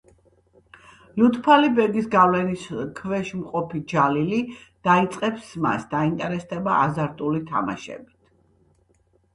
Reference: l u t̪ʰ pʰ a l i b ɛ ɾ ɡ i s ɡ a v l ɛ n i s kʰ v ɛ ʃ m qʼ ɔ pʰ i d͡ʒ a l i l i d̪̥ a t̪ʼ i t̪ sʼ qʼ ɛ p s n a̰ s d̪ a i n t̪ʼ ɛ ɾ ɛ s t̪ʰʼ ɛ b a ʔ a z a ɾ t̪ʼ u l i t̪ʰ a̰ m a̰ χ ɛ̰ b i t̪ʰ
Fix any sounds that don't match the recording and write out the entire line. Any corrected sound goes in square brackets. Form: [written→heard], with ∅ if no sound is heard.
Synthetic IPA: l u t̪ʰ pʰ a l i b ɛ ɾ ɡ i s ɡ a v l ɛ n i s kʰ v ɛ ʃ m qʼ ɔ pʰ i d͡ʒ a l i l i d̪̥ a [t̪ʼ→∅] i t̪ sʼ qʼ ɛ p s [n→m] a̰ s d̪ a i n t̪ʼ ɛ ɾ ɛ s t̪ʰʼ ɛ b a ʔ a z a ɾ t̪ʼ u l i t̪ʰ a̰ m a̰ [χ→ʃ] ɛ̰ b i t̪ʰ